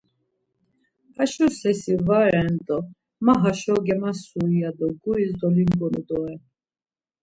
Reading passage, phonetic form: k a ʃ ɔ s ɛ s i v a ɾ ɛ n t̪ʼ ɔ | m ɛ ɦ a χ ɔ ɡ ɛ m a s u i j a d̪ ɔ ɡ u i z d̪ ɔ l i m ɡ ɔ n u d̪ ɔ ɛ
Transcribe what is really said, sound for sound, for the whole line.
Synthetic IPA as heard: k a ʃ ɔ s ɛ s i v a ɾ ɛ n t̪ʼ ɔ | m a ɦ a ʃ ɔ ɡ ɛ m a s u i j a d̪ ɔ ɡ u i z d̪ ɔ l i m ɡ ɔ n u d̪ ɔ ɛ